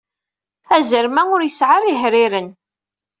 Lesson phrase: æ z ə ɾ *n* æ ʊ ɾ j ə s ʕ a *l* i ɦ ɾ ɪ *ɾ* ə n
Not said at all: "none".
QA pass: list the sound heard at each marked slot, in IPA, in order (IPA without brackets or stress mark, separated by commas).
m, ɾ, ɾ